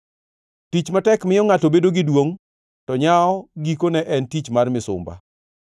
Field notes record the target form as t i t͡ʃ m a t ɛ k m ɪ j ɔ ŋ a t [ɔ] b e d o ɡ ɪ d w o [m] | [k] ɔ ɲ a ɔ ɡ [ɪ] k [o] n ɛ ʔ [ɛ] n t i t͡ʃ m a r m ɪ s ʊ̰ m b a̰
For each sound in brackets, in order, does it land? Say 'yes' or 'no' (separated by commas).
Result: no, no, no, no, yes, yes